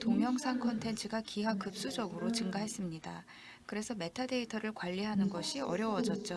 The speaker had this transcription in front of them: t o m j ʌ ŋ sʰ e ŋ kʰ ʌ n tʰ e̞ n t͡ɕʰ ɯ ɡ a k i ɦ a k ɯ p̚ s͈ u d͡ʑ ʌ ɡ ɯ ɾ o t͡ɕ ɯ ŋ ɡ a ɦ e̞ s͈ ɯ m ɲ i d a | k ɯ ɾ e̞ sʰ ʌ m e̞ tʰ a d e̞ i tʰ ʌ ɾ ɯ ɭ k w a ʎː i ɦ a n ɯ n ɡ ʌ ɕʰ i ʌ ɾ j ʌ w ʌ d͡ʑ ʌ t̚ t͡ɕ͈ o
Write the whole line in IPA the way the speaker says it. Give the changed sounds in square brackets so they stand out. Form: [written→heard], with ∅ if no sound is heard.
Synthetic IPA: t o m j ʌ ŋ sʰ [e→a] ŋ kʰ ʌ n tʰ e̞ n t͡ɕʰ ɯ ɡ a k i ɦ a k ɯ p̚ s͈ u d͡ʑ ʌ ɡ ɯ ɾ o t͡ɕ ɯ ŋ ɡ a ɦ e̞ s͈ ɯ m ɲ i d a | k ɯ ɾ e̞ sʰ ʌ m e̞ tʰ a d e̞ i tʰ ʌ ɾ ɯ ɭ k w a ʎː i ɦ a n ɯ n ɡ ʌ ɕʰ i ʌ ɾ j ʌ w ʌ d͡ʑ ʌ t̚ t͡ɕ͈ o

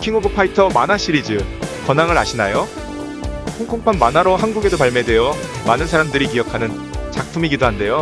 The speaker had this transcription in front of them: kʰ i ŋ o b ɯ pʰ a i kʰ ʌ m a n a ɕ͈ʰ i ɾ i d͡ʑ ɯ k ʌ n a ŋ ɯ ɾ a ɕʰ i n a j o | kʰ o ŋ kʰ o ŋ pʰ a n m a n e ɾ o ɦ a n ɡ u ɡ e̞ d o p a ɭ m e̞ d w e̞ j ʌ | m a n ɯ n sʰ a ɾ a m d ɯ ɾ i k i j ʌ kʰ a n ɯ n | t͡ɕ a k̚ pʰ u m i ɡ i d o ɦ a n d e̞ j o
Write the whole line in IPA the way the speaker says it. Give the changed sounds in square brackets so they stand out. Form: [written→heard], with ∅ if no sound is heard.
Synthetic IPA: kʰ i ŋ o b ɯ pʰ a i [kʰ→tʰ] ʌ m a n a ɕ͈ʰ i ɾ i d͡ʑ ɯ k ʌ n a ŋ ɯ ɾ a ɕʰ i n a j o | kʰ o ŋ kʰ o ŋ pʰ a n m a n [e→a] ɾ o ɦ a n ɡ u ɡ e̞ d o p a ɭ m e̞ d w e̞ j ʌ | m a n ɯ n sʰ a ɾ a m d ɯ ɾ i k i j ʌ kʰ a n ɯ n | t͡ɕ a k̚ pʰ u m i ɡ i d o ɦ a n d e̞ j o

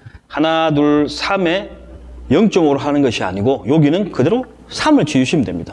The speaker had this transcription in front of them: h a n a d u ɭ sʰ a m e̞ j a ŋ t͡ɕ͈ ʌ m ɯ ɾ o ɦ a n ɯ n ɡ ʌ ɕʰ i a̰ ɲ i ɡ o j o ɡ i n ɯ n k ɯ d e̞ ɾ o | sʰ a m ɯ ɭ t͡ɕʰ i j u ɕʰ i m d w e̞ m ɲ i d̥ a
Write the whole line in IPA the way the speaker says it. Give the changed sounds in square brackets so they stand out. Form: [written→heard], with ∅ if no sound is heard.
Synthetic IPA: h a n a d u ɭ sʰ a m e̞ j [a→ʌ] ŋ t͡ɕ͈ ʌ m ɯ ɾ o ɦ a n ɯ n ɡ ʌ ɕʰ i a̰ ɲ i ɡ o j o ɡ i n ɯ n k ɯ d e̞ ɾ o | sʰ a m ɯ ɭ [t͡ɕʰ→t͡ɕ] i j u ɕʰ i m d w e̞ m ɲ i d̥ a

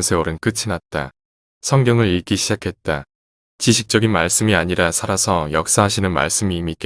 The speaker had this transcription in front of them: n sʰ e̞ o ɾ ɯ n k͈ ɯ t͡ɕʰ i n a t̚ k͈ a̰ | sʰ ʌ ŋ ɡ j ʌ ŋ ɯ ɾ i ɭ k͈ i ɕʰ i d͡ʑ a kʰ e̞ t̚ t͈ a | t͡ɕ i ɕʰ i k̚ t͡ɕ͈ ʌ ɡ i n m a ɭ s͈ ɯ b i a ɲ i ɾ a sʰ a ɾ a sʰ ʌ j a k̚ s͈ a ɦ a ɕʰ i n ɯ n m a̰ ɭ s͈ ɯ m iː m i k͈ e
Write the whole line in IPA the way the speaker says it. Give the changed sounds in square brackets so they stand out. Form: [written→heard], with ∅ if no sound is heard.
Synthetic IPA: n sʰ e̞ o ɾ ɯ n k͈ ɯ t͡ɕʰ i n a t̚ [k͈→t͈] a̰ | sʰ ʌ ŋ ɡ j ʌ ŋ ɯ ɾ i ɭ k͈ i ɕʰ i d͡ʑ a kʰ e̞ t̚ t͈ a | t͡ɕ i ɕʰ i k̚ t͡ɕ͈ ʌ ɡ i n m a ɭ s͈ ɯ [b→m] i a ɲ i ɾ a sʰ a ɾ a sʰ ʌ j [a→ʌ] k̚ s͈ a ɦ a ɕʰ i n ɯ n m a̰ ɭ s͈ ɯ m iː m i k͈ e

